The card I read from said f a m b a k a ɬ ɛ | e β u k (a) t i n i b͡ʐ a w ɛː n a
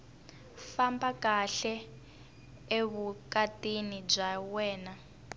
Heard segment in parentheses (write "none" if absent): a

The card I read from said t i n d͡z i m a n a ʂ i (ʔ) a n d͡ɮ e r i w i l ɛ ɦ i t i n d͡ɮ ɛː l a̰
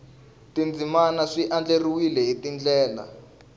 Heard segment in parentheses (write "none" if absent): ʔ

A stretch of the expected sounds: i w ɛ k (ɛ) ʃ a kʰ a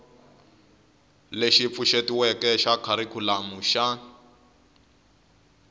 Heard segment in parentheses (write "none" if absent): ɛ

